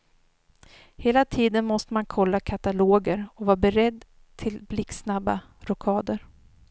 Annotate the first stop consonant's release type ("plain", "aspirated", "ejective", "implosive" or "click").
aspirated